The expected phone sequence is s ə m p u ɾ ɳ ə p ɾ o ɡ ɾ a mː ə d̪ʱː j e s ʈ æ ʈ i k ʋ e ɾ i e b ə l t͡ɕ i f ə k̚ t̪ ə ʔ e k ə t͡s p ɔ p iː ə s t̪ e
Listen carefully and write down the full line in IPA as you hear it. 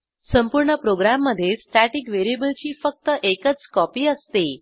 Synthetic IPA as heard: s ə m p u ɾ ɳ ə p ɾ o ɡ ɾ a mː ə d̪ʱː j e s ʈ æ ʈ i k ʋ e ɾ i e b ə l t͡ɕ iː f ə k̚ t̪ ə ʔ e k ə t͡s k ɔ p iː ə s t̪ e